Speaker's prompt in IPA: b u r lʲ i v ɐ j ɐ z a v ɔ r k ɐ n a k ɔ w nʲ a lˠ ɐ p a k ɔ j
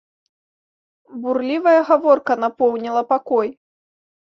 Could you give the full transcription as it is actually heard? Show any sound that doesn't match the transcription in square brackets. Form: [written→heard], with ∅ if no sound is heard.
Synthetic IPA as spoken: b u r lʲ i v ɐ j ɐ [z→ɣ] a v ɔ r k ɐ n a [k→p] ɔ w nʲ [a→i] lˠ ɐ p a k ɔ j